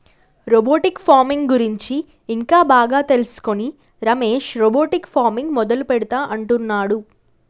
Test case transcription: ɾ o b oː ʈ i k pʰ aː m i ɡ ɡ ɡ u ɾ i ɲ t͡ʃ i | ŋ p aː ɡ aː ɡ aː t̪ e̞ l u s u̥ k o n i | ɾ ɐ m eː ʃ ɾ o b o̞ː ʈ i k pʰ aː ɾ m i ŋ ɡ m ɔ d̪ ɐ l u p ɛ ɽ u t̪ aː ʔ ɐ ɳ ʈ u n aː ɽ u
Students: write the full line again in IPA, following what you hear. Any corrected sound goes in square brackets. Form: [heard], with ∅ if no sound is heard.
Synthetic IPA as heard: ɾ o b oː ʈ i k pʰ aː m i [ŋ] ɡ ɡ u ɾ i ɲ t͡ʃ [iː] | ŋ [k] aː [b] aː ɡ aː t̪ e̞ l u s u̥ k o n i | ɾ ɐ m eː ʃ ɾ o b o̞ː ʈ i k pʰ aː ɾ m i ŋ ɡ m ɔ d̪ ɐ l u p ɛ ɽ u t̪ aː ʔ ɐ ɳ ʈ u [nː] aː ɽ u